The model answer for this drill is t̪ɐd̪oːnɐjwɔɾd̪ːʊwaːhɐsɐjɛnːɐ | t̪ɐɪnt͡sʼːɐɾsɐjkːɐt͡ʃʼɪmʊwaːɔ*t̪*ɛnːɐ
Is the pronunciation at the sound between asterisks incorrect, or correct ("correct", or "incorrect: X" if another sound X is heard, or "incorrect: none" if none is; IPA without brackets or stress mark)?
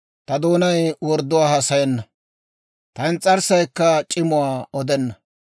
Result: incorrect: d̪